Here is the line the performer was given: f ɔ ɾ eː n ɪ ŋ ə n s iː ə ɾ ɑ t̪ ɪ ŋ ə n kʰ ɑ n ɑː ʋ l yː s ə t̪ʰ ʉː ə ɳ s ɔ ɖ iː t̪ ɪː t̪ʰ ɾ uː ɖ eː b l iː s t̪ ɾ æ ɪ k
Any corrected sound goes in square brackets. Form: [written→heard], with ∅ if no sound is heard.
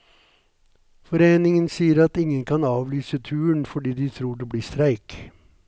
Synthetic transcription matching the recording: f ɔ ɾ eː n ɪ ŋ ə n s iː ə ɾ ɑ t̪ ɪ ŋ ə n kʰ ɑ n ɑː ʋ l yː s ə t̪ʰ ʉː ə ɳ [s→f] ɔ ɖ iː [t̪→d̪] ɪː t̪ʰ ɾ uː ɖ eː b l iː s t̪ ɾ æ ɪ k